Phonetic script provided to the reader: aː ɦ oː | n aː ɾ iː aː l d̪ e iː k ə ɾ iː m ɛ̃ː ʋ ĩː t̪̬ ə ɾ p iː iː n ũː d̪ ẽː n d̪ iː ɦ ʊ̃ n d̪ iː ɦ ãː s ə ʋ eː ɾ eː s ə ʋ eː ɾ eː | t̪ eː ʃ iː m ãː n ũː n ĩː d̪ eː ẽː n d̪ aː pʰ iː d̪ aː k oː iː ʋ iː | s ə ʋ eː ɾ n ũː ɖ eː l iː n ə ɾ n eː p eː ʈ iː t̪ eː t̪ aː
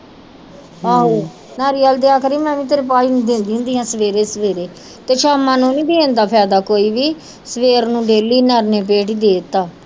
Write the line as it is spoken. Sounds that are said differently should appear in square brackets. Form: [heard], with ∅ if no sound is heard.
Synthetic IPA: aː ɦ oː | n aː ɾ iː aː l d̪ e [aː] k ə ɾ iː m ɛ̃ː ʋ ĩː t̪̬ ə ɾ p [aː] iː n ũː d̪ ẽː n d̪ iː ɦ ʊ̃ n d̪ iː ɦ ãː s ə ʋ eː ɾ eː s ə ʋ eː ɾ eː | t̪ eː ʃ [aː] m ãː n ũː n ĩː d̪ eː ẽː n d̪ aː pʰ [ɛː] d̪ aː k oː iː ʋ iː | s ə ʋ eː ɾ n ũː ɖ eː l iː n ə ɾ n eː p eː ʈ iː [d̪] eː t̪ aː